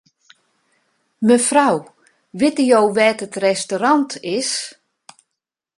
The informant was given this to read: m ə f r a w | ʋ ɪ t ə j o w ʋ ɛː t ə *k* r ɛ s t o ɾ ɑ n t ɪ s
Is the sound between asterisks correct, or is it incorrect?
incorrect